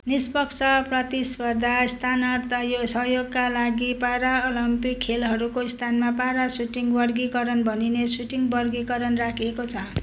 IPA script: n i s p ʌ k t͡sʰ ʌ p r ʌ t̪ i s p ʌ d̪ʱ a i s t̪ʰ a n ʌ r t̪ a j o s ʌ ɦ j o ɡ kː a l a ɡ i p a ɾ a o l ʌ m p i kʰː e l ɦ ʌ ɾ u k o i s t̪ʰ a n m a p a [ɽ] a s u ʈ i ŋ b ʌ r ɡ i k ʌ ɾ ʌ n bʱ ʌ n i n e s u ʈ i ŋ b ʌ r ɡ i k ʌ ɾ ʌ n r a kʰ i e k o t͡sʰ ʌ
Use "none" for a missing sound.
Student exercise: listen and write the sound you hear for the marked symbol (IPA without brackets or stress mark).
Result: ɾ